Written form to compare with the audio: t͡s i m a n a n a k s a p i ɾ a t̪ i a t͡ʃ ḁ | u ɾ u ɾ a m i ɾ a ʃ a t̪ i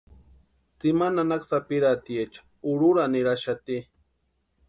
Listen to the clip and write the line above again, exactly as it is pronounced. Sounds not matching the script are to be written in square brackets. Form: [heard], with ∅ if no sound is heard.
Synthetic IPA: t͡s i m a n a n a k s a p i ɾ a t̪ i [e] t͡ʃ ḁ | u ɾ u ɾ a [n] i ɾ a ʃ a t̪ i